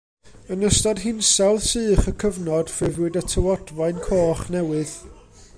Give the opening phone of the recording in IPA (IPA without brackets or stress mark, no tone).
ə